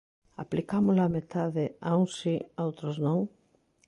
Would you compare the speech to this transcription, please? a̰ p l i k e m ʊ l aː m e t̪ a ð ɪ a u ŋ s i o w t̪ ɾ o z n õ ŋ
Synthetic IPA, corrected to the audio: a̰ p l i k a m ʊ l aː m e t̪ a ð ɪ a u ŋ s i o w t̪ ɾ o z n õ ŋ